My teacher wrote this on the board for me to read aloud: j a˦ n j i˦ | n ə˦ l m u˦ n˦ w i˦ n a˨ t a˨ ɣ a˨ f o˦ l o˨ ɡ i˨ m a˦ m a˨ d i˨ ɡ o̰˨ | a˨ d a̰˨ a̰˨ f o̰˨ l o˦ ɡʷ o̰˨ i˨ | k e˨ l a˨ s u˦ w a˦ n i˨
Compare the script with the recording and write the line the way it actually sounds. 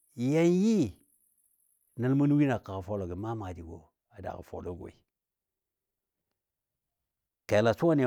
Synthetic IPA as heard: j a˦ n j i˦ | n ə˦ l m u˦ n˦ w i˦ n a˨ k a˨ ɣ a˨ f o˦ l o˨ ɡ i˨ m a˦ m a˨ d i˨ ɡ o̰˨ | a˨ d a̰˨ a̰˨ f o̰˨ l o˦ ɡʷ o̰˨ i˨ | k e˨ l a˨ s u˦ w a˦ n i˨

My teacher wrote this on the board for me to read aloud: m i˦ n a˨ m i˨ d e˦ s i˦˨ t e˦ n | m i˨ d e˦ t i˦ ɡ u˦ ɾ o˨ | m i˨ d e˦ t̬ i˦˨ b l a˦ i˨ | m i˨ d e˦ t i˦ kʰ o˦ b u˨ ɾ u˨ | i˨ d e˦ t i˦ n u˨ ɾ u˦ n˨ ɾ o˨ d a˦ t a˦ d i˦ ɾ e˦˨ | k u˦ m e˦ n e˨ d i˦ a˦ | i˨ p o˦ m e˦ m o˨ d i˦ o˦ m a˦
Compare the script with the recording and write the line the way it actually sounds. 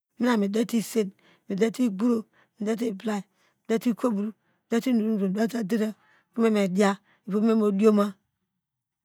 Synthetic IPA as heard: m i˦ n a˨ m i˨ d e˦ t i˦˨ s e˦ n | m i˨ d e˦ t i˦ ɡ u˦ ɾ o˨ | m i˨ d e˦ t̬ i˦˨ b l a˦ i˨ | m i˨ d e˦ t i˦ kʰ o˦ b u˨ ɾ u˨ | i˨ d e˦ t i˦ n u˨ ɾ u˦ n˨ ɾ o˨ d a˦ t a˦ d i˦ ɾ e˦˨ | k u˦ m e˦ m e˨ d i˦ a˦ | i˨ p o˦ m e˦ m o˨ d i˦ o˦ m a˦

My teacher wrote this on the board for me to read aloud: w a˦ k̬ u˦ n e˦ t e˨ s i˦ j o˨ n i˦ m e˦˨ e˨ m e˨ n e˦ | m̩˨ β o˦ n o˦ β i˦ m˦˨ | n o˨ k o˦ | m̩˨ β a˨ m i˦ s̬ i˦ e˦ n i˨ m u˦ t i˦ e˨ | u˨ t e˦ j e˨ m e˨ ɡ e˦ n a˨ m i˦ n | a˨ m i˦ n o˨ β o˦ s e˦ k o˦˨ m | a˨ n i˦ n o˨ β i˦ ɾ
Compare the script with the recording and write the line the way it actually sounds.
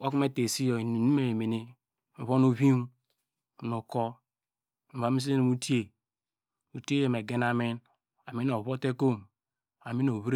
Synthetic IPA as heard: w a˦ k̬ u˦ m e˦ t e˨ s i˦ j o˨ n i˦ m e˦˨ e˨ m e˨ n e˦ | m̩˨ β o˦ n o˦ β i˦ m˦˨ | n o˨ k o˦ | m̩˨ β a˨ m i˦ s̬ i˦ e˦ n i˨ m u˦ t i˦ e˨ | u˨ t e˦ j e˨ m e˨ ɡ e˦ n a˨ m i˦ n | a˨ m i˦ n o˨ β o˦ t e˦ k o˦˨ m | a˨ m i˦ n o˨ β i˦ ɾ

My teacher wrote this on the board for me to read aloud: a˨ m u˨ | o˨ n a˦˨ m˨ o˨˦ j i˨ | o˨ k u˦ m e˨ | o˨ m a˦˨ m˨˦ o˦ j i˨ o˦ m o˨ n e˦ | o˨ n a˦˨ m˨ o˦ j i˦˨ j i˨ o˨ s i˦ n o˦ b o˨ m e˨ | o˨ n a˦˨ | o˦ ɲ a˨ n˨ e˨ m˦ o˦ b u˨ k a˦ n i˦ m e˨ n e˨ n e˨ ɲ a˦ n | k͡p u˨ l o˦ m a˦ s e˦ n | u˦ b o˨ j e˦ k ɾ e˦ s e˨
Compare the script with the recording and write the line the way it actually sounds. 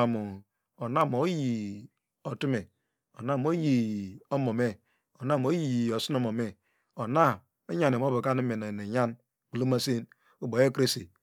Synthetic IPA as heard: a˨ m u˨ | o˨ n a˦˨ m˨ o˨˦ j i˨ | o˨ t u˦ m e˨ | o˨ n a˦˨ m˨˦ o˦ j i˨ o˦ m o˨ m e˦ | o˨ n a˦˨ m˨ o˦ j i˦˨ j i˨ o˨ s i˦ n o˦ m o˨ m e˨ | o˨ n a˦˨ | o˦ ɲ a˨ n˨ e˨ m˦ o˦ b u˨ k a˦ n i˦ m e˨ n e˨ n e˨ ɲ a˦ n | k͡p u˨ l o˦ m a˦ s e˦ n | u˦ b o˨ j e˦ k ɾ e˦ s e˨

